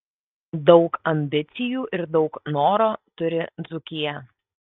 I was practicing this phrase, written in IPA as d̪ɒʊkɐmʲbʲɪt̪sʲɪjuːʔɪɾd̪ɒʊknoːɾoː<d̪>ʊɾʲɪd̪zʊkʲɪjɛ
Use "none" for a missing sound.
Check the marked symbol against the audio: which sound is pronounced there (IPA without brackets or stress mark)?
t̪